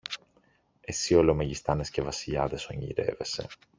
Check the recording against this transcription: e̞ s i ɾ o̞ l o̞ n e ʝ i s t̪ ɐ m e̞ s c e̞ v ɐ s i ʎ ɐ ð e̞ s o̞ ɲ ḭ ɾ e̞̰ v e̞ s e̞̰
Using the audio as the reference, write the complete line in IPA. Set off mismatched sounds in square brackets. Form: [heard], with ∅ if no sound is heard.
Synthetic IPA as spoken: e̞ s i [∅] o̞ l o̞ [m] e ʝ i s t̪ ɐ [n] e̞ s c e̞ v ɐ s i ʎ ɐ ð e̞ s o̞ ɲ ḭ ɾ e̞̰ v e̞ s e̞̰